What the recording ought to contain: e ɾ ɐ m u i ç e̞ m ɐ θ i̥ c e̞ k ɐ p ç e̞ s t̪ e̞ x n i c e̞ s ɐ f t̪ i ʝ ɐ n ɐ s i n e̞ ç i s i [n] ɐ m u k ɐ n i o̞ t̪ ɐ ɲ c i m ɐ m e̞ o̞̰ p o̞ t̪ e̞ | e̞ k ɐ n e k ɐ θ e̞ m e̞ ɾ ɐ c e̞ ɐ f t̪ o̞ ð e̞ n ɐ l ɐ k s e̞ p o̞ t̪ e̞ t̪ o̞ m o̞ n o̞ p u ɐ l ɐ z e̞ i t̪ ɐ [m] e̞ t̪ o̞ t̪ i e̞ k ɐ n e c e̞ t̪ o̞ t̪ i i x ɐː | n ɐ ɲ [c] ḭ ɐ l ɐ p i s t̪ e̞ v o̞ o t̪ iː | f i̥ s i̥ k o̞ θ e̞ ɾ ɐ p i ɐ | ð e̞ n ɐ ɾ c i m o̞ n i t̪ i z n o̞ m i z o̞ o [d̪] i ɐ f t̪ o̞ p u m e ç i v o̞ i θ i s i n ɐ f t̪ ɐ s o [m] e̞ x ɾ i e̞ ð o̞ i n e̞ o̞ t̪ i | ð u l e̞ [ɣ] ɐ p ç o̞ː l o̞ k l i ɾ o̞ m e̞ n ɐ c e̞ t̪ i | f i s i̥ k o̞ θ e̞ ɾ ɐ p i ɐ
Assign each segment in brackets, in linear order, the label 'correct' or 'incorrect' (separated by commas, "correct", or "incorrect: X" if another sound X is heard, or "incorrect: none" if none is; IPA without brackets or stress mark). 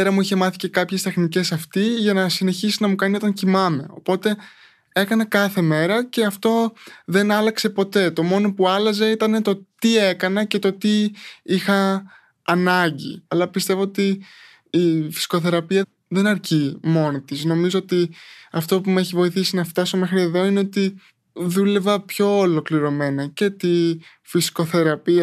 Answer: correct, incorrect: n, incorrect: ɟ, incorrect: t̪, correct, incorrect: v